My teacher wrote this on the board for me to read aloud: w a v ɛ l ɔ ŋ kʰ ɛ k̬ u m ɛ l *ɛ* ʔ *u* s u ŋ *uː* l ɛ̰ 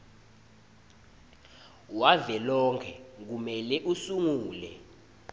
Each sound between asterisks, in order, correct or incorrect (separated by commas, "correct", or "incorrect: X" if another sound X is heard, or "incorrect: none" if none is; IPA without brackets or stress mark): correct, correct, correct